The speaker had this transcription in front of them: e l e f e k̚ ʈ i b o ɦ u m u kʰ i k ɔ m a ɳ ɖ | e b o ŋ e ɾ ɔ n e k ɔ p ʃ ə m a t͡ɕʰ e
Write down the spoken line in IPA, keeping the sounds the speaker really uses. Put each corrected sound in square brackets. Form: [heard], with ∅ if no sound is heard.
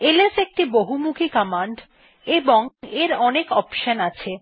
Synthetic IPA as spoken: e l e [s] e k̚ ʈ i b o ɦ u m u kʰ i k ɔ m a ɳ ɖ | e b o ŋ e ɾ ɔ n e k ɔ p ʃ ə [n] a t͡ɕʰ e